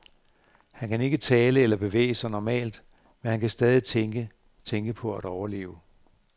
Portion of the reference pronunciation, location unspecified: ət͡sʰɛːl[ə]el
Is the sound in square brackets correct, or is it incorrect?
correct